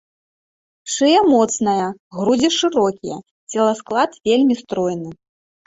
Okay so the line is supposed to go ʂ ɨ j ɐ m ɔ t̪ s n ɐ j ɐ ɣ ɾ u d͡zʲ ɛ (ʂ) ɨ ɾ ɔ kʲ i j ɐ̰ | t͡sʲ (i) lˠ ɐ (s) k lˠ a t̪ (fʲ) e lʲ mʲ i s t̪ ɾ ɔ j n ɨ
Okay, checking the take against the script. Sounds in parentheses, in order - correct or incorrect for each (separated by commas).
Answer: correct, incorrect, correct, incorrect